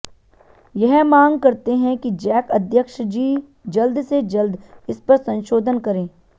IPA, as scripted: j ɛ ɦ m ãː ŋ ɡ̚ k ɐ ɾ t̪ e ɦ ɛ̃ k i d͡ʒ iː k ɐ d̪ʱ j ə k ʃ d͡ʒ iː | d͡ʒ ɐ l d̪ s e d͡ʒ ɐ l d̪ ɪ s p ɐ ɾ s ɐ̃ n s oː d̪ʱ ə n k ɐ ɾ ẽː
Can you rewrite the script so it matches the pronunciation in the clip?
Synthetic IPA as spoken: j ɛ ɦ m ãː ŋ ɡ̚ k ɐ ɾ t̪ e ɦ ɛ̃ k i d͡ʒ ɛː k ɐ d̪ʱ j ə k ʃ d͡ʒ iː | d͡ʒ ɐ l d̪ s e d͡ʒ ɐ l d̪ ɪ s p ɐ ɾ s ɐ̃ n ʃ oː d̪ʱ ə n k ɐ ɾ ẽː